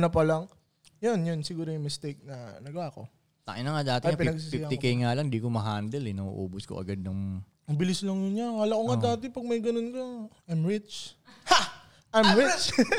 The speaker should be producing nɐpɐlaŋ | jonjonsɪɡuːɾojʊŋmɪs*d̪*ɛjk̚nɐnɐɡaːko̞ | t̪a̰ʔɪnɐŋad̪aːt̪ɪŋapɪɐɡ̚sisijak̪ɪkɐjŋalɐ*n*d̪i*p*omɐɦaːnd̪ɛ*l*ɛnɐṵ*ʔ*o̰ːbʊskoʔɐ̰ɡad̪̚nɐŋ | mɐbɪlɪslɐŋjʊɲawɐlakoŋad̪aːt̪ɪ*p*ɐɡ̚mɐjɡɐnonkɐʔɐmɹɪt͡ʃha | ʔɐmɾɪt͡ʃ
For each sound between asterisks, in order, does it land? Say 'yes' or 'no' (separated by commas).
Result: no, no, no, yes, yes, yes